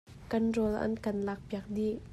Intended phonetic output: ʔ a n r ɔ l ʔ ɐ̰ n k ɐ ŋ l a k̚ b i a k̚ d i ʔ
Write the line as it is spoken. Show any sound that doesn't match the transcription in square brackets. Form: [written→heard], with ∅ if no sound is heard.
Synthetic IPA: [ʔ→k] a n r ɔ l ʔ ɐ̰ n k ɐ [ŋ→n] l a k̚ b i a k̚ d i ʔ

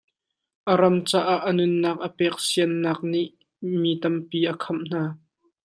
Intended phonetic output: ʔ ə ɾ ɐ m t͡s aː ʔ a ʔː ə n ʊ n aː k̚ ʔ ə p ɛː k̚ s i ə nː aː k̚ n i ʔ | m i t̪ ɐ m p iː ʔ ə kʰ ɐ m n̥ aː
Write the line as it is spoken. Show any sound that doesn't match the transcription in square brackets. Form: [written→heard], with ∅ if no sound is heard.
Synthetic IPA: ʔ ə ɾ ɐ m t͡s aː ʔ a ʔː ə n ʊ [n→nː] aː k̚ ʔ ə p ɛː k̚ s i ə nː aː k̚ n i ʔ | m i t̪ ɐ m p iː ʔ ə kʰ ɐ m n̥ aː

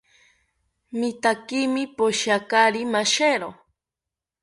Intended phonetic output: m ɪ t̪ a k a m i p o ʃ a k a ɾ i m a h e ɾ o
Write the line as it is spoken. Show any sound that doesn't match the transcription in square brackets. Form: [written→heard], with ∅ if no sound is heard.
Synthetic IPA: m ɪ t̪ a k [a→i] m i p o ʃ a k a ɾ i m a [h→ʃ] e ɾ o

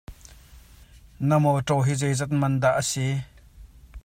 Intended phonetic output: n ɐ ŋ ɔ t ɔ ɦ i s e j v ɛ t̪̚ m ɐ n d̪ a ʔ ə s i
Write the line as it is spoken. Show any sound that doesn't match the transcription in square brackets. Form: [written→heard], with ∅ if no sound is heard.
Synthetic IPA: n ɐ [ŋ→m] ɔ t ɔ ɦ i [s→z] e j [v→z] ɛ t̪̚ m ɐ n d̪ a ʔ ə s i

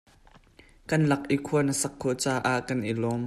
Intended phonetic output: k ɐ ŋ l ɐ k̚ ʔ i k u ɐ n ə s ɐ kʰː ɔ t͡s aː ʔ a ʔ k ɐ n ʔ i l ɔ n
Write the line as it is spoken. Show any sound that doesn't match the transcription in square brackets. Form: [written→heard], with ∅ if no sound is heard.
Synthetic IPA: k ɐ [ŋ→n] l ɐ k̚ ʔ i [k→kʰ] u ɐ n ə s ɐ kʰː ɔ t͡s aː ʔ a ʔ k ɐ n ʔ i l ɔ [n→m]

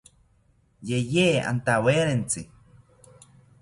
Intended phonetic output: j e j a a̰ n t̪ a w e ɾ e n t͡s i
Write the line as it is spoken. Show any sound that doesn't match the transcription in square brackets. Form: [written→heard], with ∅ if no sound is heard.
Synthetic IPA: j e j [a→e] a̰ n t̪ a w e ɾ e n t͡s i

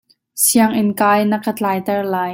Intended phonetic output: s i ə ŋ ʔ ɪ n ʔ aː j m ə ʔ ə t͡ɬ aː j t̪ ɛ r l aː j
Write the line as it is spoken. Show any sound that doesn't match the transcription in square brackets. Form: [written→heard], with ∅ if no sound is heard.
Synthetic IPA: s i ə ŋ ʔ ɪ n [ʔ→k] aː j [m→n] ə [ʔ→k] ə t͡ɬ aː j t̪ ɛ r l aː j

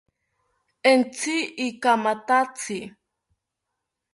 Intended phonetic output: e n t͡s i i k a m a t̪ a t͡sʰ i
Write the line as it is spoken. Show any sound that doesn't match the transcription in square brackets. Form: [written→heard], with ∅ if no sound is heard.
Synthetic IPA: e n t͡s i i k a m a t̪ a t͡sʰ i

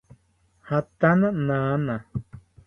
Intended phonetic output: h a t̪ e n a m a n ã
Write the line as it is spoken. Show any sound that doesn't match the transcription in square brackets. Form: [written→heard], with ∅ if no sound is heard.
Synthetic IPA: h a t̪ [e→a] n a [m→n] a n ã

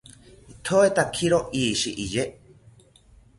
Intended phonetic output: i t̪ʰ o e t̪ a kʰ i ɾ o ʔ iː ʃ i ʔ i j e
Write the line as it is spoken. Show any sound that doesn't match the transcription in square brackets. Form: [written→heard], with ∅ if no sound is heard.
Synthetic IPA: i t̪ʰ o e t̪ a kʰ i ɾ o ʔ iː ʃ i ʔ i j e

